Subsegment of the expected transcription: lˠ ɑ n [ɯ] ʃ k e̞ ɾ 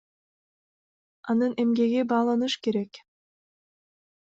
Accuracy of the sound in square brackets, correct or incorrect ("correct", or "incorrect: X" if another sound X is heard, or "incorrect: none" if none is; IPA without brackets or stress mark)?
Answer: correct